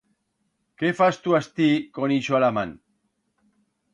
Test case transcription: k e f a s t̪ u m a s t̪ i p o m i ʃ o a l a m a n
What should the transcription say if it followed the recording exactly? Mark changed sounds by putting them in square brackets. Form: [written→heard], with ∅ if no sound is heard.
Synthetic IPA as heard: k e f a s t̪ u [m→∅] a s t̪ i [p→k] o [m→n] i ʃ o a l a m a n